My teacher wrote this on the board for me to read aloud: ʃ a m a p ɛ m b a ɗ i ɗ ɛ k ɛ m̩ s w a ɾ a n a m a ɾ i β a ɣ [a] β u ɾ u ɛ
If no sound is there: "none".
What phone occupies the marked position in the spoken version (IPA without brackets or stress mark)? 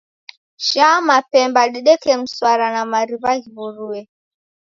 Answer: i